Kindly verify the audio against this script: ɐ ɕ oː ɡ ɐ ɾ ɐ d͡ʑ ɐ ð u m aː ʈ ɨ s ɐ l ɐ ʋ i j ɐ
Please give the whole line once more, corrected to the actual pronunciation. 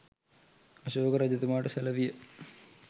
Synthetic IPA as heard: ɐ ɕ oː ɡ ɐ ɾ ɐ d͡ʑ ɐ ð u m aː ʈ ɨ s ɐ l ɐ ʋ i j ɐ